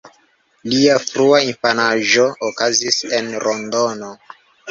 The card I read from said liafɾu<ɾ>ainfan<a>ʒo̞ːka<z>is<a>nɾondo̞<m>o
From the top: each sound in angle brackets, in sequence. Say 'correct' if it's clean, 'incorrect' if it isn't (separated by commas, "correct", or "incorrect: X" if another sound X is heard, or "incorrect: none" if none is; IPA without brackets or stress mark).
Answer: incorrect: none, correct, correct, incorrect: e, incorrect: n